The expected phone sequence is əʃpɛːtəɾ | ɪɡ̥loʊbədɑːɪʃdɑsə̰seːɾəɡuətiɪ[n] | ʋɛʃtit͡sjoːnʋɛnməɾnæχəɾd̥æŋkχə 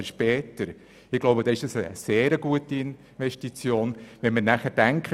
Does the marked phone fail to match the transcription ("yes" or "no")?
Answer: no